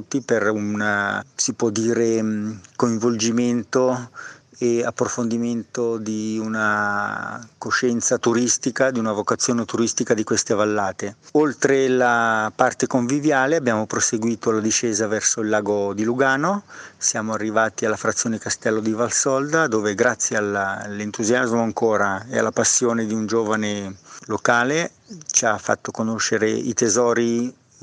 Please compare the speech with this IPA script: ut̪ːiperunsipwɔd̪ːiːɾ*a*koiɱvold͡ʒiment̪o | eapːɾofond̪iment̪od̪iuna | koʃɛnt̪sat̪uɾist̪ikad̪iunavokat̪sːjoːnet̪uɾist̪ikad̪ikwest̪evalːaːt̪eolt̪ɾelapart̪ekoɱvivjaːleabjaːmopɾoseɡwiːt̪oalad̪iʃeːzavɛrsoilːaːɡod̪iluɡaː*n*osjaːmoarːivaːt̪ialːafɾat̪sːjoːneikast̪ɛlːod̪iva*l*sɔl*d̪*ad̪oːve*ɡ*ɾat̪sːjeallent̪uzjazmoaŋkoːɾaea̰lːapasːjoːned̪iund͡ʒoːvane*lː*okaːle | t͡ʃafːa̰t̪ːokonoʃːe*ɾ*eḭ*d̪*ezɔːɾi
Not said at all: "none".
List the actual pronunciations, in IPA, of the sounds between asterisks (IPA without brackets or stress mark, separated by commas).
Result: e, n, l, d̪, ɡ, l, ɾ, t̪